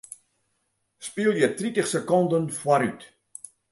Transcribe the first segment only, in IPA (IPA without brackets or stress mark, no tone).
s